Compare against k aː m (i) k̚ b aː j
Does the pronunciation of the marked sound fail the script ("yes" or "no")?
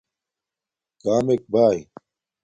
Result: yes